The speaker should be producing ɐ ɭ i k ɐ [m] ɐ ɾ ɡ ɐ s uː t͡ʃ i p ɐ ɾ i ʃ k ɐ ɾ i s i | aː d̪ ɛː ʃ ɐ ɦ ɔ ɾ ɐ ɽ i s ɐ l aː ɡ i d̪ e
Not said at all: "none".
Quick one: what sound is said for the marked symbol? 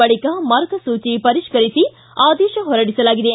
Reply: m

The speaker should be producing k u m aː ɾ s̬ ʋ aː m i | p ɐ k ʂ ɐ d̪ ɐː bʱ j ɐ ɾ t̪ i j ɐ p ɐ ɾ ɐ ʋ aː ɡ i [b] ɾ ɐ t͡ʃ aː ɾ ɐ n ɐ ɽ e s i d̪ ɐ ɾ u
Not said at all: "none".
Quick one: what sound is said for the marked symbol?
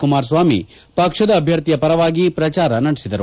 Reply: p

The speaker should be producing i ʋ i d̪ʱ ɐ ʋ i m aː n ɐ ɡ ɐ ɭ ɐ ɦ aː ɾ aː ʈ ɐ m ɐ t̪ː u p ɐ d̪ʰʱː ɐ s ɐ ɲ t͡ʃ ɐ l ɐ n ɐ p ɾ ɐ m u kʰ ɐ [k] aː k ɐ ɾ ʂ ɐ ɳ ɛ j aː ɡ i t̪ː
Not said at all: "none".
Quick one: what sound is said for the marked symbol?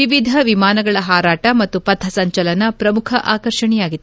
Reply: ʔ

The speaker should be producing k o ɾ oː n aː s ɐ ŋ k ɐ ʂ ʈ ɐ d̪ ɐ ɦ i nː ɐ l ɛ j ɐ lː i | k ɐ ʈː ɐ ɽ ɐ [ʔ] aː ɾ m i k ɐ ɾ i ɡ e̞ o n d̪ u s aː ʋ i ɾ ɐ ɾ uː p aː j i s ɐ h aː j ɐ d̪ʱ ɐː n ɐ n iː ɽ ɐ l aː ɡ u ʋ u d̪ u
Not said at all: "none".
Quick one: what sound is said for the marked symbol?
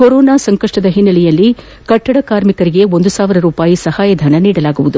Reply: k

